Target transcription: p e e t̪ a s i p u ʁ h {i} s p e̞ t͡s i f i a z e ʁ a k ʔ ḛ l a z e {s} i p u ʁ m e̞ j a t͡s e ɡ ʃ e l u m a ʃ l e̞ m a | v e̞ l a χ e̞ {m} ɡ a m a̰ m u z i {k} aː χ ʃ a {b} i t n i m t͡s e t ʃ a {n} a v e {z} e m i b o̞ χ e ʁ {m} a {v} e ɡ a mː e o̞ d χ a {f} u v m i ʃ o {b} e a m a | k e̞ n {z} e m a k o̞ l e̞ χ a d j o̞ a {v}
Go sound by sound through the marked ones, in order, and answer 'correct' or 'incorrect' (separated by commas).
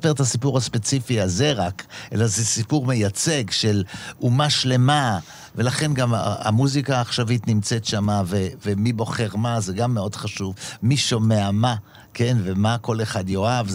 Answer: incorrect, correct, incorrect, correct, incorrect, incorrect, incorrect, correct, incorrect, incorrect, incorrect, incorrect, correct